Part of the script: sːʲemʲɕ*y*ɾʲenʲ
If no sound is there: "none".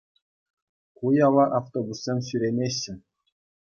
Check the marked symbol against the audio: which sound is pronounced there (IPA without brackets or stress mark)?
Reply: y